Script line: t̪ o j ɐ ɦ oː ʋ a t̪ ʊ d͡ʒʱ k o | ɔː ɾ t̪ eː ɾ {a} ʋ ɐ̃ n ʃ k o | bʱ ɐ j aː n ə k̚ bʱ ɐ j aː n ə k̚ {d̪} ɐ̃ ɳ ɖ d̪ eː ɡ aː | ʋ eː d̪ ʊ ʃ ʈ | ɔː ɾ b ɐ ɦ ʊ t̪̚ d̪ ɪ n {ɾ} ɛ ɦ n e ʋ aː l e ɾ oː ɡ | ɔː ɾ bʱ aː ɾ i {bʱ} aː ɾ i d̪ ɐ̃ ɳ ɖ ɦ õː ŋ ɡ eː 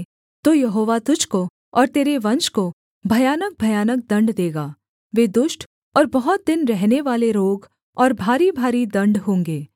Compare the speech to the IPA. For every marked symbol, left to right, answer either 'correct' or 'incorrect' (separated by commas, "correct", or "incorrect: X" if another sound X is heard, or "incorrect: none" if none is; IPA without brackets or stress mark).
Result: incorrect: e, correct, correct, correct